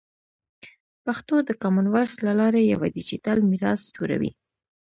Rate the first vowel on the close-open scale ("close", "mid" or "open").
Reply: open